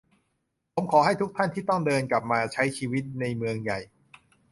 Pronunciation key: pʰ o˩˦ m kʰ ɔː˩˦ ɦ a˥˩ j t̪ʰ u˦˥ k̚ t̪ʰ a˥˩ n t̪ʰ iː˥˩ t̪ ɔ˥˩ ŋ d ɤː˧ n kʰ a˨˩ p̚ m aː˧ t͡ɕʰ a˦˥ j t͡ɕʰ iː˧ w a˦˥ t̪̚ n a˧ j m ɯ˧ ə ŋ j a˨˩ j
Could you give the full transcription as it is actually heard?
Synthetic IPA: pʰ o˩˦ m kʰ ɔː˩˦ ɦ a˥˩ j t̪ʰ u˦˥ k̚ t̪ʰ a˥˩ n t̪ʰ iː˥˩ t̪ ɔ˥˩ ŋ d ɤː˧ n k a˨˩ p̚ m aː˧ t͡ɕʰ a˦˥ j t͡ɕʰ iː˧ w i˦˥ t̪̚ n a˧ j m ɯ˧ ə ŋ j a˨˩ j

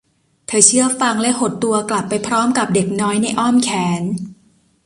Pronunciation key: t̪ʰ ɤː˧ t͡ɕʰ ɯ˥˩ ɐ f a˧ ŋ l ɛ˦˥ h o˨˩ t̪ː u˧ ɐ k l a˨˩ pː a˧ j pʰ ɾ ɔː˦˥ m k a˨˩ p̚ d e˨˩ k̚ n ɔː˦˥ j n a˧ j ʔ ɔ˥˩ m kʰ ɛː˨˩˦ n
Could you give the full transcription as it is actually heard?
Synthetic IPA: t̪ʰ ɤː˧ t͡ɕʰ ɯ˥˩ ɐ f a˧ ŋ l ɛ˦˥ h o˨˩ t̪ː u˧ ɐ k l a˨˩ pː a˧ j pʰ ɾ ɔː˦˥ m k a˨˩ p̚ d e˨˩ k̚ n ɔː˦˥ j n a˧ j ʔ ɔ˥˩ m kʰ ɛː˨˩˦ n

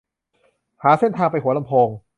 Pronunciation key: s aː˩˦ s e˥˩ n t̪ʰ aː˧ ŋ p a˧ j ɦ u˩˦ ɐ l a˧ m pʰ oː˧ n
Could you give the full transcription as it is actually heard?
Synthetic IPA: h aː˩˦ s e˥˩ n t̪ʰ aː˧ ŋ p a˧ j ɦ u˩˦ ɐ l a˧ m pʰ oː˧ ŋ

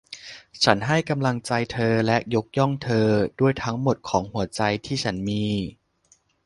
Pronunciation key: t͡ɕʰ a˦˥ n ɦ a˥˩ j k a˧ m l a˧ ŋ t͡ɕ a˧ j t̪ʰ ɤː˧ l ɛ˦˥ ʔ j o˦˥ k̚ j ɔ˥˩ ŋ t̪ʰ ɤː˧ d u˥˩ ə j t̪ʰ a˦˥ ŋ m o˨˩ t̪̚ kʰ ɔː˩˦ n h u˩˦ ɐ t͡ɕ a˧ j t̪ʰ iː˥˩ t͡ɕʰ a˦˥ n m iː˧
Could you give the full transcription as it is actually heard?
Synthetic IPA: t͡ɕʰ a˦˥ n ɦ a˥˩ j k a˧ m l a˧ ŋ t͡ɕ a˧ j t̪ʰ ɤː˧ l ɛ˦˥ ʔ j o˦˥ k̚ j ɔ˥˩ ŋ t̪ʰ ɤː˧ d u˥˩ ə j t̪ʰ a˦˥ ŋ m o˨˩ t̪̚ kʰ ɔː˩˦ ŋ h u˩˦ ɐ t͡ɕ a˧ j t̪ʰ iː˥˩ t͡ɕʰ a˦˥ n m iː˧

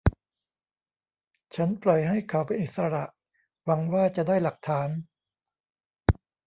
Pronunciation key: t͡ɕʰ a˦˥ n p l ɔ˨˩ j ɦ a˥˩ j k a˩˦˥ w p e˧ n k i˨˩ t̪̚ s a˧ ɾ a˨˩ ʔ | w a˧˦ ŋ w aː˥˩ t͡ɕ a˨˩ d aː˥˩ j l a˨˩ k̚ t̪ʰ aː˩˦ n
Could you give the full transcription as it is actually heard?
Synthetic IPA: t͡ɕʰ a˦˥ n p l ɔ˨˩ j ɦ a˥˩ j kʰ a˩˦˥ w p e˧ n ʔ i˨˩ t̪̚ s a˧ ɾ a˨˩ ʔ | w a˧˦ ŋ w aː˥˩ t͡ɕ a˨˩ d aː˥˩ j l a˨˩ k̚ t̪ʰ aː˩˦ n

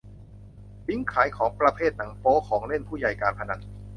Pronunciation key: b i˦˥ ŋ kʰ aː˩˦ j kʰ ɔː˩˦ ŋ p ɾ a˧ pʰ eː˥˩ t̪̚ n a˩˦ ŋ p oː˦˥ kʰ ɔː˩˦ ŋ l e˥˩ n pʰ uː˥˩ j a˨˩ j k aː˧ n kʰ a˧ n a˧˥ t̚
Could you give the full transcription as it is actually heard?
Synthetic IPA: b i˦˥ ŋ kʰ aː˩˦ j kʰ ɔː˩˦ ŋ p ɾ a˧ pʰ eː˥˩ t̪̚ n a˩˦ ŋ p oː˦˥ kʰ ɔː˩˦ ŋ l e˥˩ n pʰ uː˥˩ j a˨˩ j k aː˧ n pʰ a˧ n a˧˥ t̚

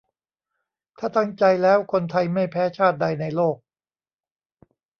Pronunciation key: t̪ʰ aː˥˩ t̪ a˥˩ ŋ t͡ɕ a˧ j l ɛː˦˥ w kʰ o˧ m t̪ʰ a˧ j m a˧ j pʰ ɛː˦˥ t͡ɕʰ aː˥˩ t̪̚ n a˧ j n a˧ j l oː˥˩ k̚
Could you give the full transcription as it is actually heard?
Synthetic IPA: t̪ʰ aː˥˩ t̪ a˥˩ ŋ t͡ɕ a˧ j l ɛː˦˥ w kʰ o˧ n t̪ʰ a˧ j m a˥˩ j pʰ ɛː˦˥ t͡ɕʰ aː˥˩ t̪̚ d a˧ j n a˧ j l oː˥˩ k̚

